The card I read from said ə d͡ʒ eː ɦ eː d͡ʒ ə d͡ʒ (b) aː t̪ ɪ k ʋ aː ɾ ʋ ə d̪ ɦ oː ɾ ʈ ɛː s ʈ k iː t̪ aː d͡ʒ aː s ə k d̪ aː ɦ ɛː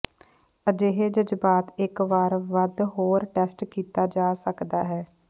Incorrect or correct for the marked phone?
correct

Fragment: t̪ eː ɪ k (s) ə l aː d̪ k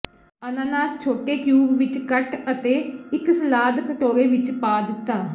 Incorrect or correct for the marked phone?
correct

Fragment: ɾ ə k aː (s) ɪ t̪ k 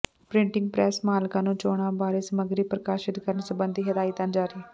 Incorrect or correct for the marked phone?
incorrect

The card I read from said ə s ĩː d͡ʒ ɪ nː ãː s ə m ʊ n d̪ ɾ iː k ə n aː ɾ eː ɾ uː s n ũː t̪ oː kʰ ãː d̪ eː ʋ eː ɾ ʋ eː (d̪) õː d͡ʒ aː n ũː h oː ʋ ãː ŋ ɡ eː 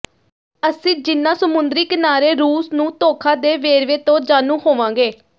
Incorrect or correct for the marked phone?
incorrect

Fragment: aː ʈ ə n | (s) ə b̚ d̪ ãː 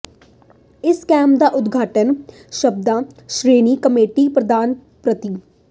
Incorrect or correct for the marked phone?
incorrect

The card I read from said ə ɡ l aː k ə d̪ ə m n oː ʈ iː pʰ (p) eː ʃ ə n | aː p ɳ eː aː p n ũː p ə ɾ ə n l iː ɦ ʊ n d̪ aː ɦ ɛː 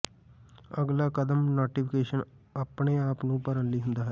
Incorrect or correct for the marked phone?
incorrect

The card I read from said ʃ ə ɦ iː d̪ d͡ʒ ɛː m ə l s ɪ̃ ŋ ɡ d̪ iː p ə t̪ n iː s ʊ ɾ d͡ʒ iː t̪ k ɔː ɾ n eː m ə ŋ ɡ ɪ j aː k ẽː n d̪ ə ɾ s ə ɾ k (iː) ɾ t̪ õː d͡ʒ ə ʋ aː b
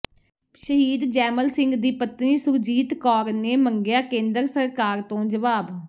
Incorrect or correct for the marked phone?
incorrect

